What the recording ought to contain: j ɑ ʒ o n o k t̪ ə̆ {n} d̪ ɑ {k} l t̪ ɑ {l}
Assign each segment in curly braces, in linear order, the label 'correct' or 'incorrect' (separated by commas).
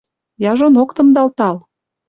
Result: incorrect, incorrect, correct